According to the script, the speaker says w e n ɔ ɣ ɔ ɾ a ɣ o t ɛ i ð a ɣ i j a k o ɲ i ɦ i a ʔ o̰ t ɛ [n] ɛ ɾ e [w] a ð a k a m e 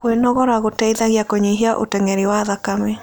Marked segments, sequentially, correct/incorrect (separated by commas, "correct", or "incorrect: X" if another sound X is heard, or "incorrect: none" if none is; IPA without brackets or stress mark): incorrect: ŋ, correct